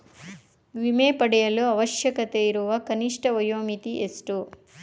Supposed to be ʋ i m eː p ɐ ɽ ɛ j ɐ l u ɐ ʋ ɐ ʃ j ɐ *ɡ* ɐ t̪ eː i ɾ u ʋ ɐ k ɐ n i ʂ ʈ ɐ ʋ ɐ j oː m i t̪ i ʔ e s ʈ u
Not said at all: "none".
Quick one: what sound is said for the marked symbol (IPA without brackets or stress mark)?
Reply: k